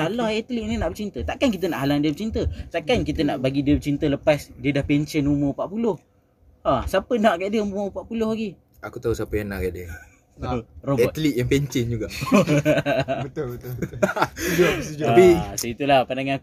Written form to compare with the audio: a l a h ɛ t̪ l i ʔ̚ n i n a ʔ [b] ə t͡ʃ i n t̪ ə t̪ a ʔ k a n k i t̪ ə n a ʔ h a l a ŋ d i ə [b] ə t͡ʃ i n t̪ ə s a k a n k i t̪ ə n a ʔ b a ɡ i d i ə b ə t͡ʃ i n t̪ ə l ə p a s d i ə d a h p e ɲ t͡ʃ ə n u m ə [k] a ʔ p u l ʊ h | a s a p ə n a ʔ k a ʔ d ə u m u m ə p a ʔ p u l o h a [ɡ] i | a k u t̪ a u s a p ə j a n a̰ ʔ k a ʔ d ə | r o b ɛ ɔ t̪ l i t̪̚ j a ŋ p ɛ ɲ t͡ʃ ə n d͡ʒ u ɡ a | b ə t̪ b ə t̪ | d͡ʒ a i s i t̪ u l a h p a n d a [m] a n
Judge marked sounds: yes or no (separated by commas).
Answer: yes, yes, no, yes, no